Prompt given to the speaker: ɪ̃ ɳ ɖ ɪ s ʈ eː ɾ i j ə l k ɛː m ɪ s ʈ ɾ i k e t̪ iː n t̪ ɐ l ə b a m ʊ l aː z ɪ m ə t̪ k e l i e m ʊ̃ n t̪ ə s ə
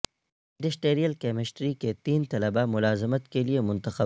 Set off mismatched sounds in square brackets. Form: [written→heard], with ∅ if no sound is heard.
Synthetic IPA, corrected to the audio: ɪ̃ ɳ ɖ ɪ s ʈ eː ɾ i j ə l k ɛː m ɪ s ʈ ɾ i k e t̪ iː n t̪ ɐ l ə b a m ʊ l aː z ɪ m ə t̪ k e l i e m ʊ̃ n t̪ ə [s→x] ə